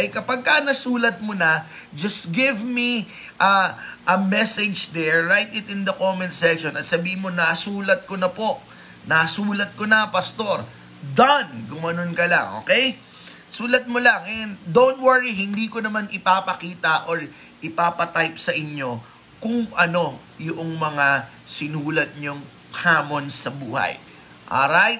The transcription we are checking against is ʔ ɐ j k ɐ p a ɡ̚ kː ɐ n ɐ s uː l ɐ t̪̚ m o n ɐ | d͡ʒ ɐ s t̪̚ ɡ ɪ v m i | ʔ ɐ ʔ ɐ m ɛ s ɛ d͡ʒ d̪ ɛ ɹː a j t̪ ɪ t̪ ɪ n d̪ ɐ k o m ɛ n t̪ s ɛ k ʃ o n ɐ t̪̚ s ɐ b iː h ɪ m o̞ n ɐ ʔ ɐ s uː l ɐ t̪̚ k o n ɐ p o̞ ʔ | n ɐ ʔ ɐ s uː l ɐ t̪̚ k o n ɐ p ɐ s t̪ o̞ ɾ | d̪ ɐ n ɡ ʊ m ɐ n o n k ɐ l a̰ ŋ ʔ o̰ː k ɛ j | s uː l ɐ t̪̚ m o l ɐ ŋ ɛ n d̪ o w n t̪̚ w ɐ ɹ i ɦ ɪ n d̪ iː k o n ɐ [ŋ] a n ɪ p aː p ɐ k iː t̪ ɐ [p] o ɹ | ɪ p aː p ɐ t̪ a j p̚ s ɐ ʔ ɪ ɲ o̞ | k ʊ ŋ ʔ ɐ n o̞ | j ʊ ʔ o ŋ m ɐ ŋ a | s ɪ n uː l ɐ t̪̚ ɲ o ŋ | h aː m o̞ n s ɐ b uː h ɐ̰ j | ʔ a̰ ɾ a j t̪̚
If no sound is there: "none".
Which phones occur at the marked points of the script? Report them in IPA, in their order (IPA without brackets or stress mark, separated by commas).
m, ʔ